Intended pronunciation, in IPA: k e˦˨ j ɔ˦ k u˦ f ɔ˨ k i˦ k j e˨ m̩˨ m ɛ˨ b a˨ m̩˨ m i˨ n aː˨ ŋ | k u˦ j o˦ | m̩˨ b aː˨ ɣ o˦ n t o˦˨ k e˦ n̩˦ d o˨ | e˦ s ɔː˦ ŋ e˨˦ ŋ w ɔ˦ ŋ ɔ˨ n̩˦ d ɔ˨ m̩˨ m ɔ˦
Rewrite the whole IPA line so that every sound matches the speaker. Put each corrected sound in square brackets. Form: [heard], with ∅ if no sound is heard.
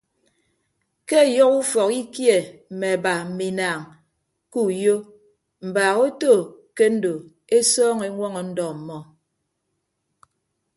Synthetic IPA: k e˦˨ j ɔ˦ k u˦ f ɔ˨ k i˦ k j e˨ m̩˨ m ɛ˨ b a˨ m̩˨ m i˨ n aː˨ ŋ | k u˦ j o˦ | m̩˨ b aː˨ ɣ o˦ [∅] t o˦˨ k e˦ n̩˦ d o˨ | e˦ s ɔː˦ ŋ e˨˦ ŋ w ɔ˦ ŋ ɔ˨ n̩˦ d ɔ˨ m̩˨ m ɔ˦

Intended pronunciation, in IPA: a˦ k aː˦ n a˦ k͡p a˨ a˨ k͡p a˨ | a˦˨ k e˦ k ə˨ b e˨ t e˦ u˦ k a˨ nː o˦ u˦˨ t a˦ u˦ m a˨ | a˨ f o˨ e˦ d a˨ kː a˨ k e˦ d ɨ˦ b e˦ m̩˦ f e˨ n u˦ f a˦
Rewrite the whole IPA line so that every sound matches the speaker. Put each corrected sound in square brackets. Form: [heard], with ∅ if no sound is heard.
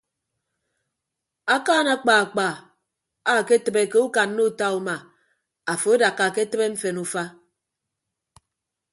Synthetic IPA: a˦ k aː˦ n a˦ k͡p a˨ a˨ k͡p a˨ | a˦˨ k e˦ [t] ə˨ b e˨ [k] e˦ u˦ k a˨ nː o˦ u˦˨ t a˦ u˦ m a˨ | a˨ f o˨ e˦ d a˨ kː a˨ k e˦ [t] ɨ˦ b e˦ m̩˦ f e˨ n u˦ f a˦

